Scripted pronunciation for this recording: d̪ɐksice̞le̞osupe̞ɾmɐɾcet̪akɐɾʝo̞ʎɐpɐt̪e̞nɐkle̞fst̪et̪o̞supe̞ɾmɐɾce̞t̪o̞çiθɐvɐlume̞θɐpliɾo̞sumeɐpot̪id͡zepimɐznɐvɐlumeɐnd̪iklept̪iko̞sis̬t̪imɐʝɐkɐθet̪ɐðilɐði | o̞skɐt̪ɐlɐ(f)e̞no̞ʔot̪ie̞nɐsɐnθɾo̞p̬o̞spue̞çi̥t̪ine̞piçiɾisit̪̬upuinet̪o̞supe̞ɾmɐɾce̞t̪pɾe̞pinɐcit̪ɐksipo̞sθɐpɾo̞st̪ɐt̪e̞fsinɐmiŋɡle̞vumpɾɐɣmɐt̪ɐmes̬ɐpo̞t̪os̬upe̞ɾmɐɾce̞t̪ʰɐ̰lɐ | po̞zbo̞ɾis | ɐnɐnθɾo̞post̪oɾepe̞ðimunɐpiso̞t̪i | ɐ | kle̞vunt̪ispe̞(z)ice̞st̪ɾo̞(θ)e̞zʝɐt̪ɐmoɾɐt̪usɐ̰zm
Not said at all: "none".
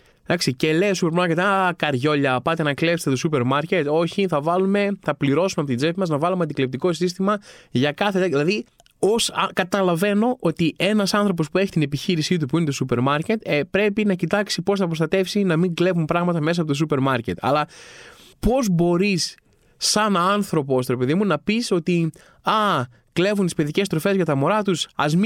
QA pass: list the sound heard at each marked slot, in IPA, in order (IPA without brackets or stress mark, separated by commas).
v, ð, f